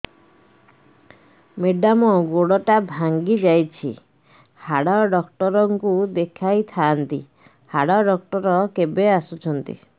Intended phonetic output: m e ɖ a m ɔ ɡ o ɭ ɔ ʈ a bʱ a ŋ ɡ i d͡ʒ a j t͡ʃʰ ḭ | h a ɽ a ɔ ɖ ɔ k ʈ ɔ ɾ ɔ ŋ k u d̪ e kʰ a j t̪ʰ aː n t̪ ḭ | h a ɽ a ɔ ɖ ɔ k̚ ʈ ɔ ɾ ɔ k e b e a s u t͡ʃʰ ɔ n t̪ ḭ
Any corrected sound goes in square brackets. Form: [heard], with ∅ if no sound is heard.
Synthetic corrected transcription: m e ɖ a m ɔ ɡ o [ɽ] ɔ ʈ a bʱ a ŋ ɡ i d͡ʒ a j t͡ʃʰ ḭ | h a ɽ a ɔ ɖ ɔ k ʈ ɔ ɾ ɔ ŋ k u d̪ e kʰ a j t̪ʰ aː n t̪ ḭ | h a ɽ a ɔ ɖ ɔ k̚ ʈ ɔ ɾ ɔ k e b e a s u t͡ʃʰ ɔ n t̪ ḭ